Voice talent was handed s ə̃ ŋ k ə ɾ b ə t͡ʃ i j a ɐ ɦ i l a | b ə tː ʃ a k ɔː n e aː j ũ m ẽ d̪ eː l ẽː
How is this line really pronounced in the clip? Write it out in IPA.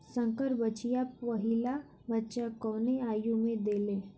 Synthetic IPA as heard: s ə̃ ŋ k ə ɾ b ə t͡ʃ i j a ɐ ɦ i l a | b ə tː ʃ a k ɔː n e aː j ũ m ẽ d̪ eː l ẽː